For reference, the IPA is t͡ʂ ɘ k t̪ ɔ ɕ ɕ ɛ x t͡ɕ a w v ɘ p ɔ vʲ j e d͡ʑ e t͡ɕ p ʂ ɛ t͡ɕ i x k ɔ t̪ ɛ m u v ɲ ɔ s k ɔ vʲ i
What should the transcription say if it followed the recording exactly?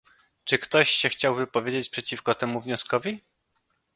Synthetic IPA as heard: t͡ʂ ɘ k t̪ ɔ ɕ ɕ ɛ x t͡ɕ a w v ɘ p ɔ vʲ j e d͡ʑ e t͡ɕ p ʂ ɛ t͡ɕ i f k ɔ t̪ ɛ m u v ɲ ɔ s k ɔ vʲ i